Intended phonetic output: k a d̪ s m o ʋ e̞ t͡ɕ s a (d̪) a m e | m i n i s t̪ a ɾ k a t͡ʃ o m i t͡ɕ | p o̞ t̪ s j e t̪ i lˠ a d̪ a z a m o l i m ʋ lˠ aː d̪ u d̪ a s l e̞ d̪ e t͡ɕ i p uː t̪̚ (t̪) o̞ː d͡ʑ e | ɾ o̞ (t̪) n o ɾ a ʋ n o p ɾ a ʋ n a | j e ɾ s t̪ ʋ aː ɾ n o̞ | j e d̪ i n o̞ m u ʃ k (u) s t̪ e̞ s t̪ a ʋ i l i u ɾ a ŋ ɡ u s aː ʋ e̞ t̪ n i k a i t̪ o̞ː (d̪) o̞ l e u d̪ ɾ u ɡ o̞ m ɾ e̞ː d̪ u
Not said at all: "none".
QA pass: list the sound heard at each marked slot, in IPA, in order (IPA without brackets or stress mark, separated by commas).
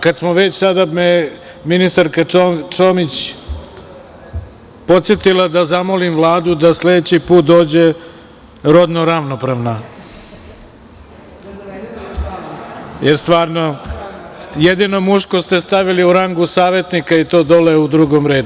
d̪, d̪, d̪, o, d̪